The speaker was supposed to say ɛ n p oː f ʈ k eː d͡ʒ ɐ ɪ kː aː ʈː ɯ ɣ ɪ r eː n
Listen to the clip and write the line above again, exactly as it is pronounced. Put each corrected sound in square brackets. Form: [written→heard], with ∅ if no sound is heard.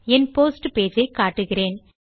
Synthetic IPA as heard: ɛ n p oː [f→s] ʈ [k→p] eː d͡ʒ ɐ ɪ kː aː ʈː ɯ ɣ ɪ r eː n